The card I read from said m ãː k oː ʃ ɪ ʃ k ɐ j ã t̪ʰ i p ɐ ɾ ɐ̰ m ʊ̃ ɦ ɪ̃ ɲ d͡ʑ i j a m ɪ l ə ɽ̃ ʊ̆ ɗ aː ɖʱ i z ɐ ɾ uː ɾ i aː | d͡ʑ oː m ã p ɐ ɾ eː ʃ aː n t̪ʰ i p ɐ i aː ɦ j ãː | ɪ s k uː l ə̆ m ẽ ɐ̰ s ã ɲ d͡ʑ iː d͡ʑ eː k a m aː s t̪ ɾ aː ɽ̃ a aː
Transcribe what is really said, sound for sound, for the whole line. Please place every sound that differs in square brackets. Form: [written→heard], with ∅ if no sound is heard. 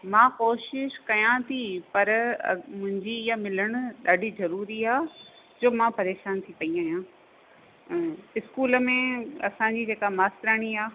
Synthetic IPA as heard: m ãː k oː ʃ ɪ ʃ k ɐ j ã t̪ʰ i p ɐ ɾ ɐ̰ m ʊ̃ ɦ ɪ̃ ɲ d͡ʑ i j a m ɪ l ə ɽ̃ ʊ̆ ɗ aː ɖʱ i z ɐ ɾ uː ɾ i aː | d͡ʑ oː m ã p ɐ ɾ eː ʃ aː n t̪ʰ i p ɐ i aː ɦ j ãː | ɪ s k uː l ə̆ m ẽ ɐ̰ s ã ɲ d͡ʑ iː d͡ʑ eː k a m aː s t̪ ɾ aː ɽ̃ [a→i] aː